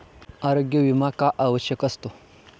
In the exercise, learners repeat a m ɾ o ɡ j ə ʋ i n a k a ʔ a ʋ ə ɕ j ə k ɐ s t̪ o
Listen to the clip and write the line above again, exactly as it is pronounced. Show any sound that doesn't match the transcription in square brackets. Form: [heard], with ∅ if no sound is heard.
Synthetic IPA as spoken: a [∅] ɾ o ɡ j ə ʋ i [m] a k a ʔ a ʋ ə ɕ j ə k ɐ s t̪ o